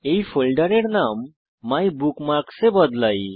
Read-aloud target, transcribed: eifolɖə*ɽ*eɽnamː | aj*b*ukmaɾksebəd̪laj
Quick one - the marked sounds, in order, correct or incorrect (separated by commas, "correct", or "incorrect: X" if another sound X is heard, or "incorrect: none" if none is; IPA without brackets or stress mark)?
incorrect: ɾ, correct